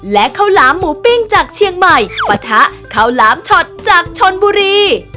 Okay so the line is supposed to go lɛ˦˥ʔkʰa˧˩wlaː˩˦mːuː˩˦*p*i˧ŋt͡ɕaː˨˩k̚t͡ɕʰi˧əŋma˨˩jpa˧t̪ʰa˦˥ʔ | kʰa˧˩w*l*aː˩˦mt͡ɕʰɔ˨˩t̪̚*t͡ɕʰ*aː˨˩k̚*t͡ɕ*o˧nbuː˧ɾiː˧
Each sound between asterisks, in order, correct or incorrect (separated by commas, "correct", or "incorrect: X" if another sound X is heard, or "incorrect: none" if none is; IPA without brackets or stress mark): correct, correct, incorrect: t͡ɕ, incorrect: t͡ɕʰ